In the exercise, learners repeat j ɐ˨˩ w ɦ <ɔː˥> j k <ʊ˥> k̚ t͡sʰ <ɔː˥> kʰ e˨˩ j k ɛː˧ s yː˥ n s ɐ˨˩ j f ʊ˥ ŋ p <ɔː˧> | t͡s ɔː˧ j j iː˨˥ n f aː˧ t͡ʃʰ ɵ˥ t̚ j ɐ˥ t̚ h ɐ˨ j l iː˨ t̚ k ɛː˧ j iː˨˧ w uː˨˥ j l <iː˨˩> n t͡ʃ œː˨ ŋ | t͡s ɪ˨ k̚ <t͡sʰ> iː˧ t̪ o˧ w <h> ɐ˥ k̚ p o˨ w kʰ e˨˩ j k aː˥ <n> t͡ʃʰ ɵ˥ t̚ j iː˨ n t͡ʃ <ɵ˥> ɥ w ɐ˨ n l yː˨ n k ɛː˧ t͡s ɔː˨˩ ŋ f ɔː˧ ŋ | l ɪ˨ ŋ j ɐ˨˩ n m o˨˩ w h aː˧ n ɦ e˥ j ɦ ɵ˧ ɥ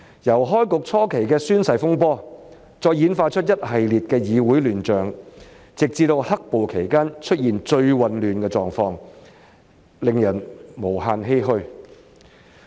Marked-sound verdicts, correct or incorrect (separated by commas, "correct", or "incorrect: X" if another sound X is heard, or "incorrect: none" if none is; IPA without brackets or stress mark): correct, incorrect: ʊ˨, correct, incorrect: ɔː˥, incorrect: yː˨˩, incorrect: t͡s, correct, correct, incorrect: ɵ˧